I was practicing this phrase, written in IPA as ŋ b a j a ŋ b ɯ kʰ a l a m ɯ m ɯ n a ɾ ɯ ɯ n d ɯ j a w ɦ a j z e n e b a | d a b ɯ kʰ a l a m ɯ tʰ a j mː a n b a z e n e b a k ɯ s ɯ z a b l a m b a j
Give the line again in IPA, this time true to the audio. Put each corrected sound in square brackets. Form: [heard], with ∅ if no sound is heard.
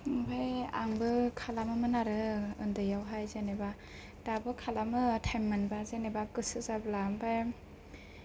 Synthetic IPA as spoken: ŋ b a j a ŋ b ɯ kʰ a l a m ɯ m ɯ n a ɾ ɯ ɯ n d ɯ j a w ɦ a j z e n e b a | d a b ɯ kʰ a l a m ɯ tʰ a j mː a n b a z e n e b a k ɯ s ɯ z a b l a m b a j